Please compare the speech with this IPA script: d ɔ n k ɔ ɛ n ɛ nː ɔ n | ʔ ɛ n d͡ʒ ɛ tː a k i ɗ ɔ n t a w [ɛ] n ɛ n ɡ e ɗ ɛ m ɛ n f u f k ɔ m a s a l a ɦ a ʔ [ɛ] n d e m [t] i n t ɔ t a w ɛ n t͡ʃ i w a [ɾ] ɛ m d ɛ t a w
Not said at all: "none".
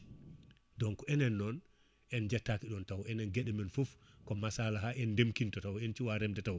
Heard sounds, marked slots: ɛ, ɛ, k, ɾ

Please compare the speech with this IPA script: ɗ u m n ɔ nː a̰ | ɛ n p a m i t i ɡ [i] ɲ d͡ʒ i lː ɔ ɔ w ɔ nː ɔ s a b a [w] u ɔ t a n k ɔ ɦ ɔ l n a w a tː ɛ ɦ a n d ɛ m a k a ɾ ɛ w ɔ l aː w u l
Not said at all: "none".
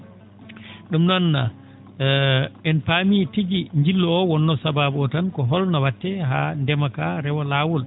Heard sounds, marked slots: i, b

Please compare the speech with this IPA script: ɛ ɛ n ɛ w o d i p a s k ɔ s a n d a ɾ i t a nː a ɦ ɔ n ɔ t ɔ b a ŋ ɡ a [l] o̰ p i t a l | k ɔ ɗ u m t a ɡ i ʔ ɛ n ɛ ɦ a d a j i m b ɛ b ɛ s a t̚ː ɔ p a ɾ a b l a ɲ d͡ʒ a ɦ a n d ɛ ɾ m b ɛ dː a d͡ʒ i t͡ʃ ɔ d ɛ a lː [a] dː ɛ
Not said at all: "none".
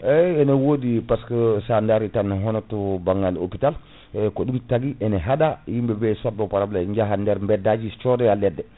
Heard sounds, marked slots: l, ɛ

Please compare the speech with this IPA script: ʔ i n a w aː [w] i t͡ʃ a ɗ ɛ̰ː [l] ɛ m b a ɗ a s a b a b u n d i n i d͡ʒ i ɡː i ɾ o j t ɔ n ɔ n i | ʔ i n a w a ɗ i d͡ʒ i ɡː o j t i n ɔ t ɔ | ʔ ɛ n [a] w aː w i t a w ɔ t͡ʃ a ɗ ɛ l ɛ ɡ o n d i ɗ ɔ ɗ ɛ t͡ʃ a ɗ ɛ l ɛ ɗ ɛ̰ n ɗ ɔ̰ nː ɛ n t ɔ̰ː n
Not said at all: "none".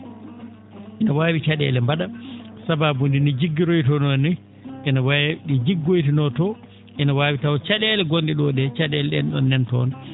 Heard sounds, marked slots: w, l, a

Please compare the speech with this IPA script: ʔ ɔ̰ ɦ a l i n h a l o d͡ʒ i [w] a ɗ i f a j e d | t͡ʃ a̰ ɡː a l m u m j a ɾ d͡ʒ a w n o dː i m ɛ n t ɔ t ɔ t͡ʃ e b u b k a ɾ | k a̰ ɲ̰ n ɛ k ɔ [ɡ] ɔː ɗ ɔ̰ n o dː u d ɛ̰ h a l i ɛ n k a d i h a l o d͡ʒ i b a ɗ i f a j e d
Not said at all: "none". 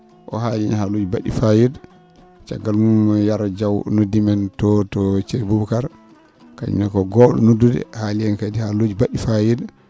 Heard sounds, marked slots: b, ɡ

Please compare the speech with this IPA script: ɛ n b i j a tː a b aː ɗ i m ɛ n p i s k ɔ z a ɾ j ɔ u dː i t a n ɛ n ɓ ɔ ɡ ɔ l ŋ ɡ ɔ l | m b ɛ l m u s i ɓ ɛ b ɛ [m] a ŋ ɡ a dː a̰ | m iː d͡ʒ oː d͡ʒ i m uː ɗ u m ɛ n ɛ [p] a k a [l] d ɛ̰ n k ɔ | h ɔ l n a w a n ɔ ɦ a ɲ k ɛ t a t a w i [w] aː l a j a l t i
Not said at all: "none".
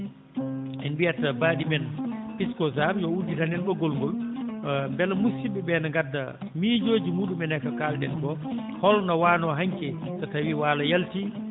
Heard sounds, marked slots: n, k, l, w

